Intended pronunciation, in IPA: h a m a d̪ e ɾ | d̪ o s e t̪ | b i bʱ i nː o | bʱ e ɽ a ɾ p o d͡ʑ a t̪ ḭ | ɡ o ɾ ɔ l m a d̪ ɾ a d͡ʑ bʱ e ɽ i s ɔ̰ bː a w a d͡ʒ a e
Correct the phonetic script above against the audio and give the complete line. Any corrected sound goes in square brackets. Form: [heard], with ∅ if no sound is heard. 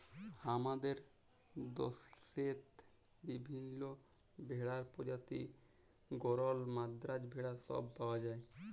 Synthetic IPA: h a m a d̪ e ɾ | d̪ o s e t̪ | b i bʱ i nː o | bʱ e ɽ a ɾ p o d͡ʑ a t̪ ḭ | ɡ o ɾ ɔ l m a d̪ ɾ a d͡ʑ bʱ e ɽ [a] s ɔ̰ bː a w a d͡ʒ a e